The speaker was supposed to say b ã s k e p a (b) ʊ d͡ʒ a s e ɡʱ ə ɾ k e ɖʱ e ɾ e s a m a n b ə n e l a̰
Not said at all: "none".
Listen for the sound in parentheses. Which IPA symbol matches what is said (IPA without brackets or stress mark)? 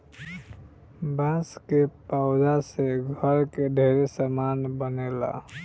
none